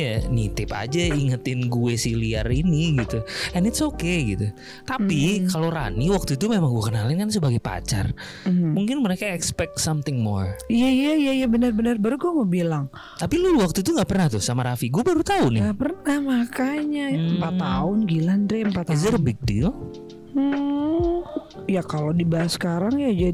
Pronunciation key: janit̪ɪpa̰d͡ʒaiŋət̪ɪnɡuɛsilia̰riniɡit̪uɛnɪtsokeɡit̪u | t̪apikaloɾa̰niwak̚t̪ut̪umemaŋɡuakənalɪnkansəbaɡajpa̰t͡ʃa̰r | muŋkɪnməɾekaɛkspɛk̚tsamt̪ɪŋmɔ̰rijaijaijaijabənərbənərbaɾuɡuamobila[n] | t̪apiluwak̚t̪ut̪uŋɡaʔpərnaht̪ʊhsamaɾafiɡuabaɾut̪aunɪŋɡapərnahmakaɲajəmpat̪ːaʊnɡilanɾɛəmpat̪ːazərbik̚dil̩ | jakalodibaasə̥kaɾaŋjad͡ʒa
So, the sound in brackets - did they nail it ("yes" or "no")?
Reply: no